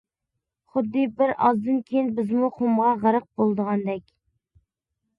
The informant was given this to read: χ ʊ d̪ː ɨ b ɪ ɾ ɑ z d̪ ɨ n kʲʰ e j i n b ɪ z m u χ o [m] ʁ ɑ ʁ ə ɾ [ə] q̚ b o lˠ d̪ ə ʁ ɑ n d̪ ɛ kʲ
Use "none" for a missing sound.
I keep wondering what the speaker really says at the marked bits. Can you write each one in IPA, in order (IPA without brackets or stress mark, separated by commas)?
m, ə